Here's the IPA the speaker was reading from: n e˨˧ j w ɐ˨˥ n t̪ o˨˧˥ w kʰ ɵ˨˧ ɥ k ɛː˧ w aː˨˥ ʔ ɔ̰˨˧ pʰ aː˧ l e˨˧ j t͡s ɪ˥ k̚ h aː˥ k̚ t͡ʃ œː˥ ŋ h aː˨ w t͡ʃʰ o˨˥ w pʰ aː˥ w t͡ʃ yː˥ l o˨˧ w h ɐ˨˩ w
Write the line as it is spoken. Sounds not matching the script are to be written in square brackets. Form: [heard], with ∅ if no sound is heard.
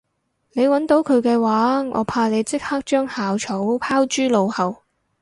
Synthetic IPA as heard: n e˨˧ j w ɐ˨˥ n t̪ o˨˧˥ w kʰ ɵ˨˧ ɥ k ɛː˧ w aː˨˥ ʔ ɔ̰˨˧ pʰ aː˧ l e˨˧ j t͡s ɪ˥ k̚ h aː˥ k̚ t͡ʃ œː˥ ŋ h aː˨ w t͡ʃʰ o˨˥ w pʰ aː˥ w t͡ʃ yː˥ l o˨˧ w h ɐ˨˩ w